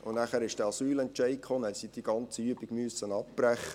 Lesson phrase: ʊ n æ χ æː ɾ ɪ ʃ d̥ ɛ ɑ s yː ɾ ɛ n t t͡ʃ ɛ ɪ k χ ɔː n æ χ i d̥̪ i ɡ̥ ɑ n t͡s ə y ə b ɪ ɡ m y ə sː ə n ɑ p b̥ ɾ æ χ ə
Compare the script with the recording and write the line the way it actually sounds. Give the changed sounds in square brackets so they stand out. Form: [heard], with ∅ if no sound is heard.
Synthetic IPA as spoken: ʊ n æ χ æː ɾ ɪ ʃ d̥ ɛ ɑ s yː [l] ɛ n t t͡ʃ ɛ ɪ k χ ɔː n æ [s] i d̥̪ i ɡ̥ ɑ n t͡s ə y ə b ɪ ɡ m y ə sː ə n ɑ p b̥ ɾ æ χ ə